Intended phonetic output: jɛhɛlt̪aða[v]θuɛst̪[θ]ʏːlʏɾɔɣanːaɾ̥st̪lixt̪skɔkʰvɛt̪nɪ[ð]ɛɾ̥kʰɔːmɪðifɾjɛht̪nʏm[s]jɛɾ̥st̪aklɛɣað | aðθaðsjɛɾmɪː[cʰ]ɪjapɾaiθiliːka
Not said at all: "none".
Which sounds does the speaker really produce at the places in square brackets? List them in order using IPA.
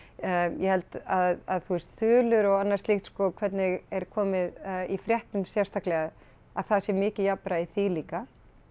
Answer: ð, θ, ɣ, s, c

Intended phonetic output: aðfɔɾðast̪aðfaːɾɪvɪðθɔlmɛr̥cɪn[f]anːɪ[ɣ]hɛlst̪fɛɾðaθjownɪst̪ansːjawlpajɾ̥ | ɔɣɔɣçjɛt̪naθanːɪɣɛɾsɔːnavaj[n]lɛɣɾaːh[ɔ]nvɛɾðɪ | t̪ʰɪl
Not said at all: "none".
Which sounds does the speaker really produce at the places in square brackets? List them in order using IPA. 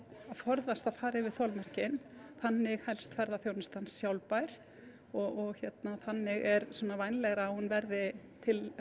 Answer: θ, ɣ, n, u

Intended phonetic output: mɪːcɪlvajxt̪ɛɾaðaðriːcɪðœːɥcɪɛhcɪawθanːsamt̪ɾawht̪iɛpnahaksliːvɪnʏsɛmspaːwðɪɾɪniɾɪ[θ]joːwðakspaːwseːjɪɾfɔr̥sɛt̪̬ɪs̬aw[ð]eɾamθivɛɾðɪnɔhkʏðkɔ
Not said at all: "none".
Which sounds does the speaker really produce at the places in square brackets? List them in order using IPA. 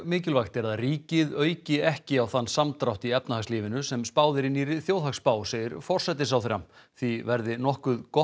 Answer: θ, θ

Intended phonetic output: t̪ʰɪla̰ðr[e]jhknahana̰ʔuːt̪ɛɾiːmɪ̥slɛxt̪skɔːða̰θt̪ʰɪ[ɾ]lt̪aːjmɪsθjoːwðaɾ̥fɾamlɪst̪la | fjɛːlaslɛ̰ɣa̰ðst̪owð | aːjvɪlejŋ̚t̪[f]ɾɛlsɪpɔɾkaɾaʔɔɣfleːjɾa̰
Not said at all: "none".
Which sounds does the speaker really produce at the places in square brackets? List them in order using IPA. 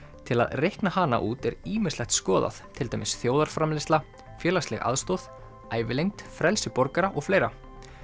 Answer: e, none, f

